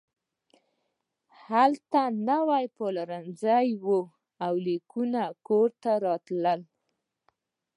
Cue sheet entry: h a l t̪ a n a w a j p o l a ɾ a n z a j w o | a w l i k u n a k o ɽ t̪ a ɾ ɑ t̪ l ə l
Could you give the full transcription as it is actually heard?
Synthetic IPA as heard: h a l t̪ a n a w a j p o l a ɾ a n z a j w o | a w l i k u n a k o ɾ t̪ a ɾ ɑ t̪ l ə l